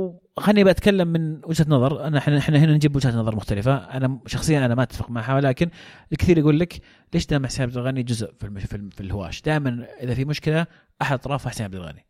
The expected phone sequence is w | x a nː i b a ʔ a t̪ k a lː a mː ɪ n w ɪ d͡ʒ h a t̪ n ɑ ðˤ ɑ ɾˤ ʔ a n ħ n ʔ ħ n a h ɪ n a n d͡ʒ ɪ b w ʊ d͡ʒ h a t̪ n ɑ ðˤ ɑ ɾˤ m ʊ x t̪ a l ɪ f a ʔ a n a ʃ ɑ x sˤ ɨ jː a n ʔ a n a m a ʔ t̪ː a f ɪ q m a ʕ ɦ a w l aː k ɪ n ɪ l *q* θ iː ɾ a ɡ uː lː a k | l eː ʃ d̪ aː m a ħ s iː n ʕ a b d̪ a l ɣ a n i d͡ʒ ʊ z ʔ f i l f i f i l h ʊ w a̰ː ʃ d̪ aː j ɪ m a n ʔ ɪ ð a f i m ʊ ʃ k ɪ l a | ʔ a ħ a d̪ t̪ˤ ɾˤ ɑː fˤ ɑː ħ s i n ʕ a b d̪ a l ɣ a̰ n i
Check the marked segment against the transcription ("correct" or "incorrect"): incorrect